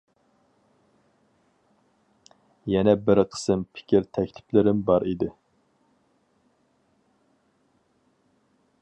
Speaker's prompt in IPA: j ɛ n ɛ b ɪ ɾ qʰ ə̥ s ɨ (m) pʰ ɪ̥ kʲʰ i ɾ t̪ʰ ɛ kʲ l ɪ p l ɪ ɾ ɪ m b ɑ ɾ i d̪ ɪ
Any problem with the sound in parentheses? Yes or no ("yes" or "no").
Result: no